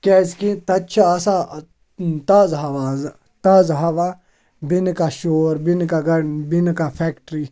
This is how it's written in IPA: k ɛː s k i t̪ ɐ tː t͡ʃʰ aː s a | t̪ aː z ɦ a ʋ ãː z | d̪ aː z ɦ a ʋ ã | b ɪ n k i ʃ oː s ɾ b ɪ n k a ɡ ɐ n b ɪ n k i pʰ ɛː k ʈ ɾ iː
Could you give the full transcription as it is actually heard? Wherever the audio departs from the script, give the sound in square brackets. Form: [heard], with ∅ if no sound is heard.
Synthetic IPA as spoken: k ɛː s k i t̪ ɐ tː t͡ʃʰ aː s a | t̪ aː z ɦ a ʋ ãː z | [t̪] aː z ɦ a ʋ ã | b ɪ n k [a] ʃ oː [∅] ɾ b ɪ n k a ɡ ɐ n b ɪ n k [a] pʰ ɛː k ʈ ɾ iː